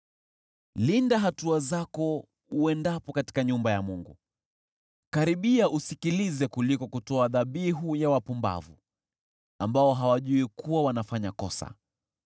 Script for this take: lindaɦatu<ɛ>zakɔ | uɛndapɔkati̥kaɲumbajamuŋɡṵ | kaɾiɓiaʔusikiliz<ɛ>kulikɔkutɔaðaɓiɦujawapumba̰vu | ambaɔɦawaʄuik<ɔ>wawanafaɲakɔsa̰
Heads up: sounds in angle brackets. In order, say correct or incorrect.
incorrect: a, correct, incorrect: u

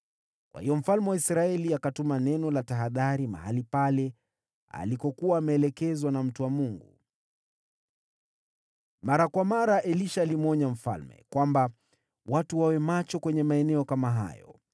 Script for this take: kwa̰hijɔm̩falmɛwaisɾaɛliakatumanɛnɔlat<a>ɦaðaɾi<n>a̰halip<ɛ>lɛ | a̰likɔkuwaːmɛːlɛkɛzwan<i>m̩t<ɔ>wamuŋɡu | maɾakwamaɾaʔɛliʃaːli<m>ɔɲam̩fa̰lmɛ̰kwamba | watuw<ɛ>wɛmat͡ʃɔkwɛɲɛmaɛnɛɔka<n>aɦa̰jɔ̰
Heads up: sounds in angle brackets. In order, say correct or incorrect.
correct, incorrect: m, incorrect: a, incorrect: a, incorrect: u, correct, incorrect: a, incorrect: m

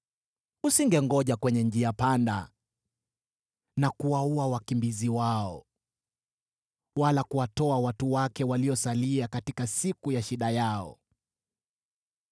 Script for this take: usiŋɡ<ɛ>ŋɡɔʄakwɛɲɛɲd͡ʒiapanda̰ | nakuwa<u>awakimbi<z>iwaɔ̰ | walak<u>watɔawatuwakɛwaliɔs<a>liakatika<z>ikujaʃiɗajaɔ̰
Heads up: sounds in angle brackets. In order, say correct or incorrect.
correct, correct, correct, correct, correct, incorrect: s

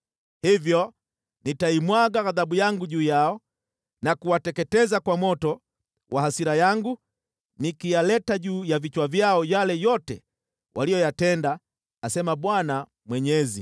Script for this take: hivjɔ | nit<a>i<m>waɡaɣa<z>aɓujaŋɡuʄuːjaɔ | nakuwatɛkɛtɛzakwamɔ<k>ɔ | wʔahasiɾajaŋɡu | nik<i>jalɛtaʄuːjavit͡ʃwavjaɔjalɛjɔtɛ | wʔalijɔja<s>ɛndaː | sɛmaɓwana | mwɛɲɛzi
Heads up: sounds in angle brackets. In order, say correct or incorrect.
correct, correct, incorrect: ð, incorrect: t, correct, incorrect: t

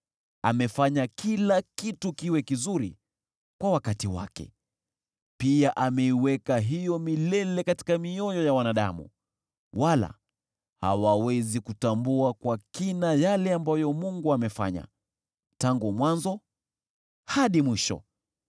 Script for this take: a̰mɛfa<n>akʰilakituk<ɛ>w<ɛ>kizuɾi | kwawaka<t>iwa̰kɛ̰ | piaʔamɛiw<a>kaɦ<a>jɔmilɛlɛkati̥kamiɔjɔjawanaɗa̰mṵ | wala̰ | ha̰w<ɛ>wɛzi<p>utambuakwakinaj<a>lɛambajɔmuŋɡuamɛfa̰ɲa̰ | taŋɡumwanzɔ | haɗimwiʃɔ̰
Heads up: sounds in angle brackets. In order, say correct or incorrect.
incorrect: ɲ, incorrect: i, correct, correct, incorrect: ɛ, incorrect: i, incorrect: a, incorrect: k, correct

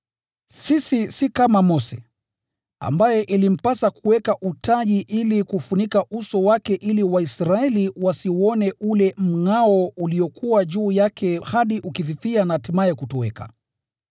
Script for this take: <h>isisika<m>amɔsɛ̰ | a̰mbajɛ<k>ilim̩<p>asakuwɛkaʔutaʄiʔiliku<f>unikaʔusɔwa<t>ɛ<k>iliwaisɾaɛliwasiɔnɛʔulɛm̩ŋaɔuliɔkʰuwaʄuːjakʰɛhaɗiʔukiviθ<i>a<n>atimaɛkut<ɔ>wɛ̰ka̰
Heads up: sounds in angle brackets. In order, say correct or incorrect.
incorrect: s, correct, incorrect: ʔ, correct, correct, incorrect: k, incorrect: ʔ, correct, correct, correct

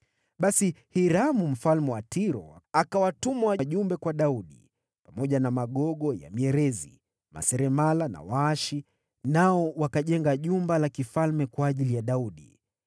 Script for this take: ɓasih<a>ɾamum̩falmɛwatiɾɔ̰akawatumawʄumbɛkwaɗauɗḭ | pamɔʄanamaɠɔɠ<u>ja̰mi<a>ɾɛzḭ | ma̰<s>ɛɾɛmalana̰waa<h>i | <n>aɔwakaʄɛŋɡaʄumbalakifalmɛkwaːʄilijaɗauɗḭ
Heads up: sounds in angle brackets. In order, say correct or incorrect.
incorrect: i, incorrect: ɔ, incorrect: ɛ, correct, incorrect: ʃ, correct

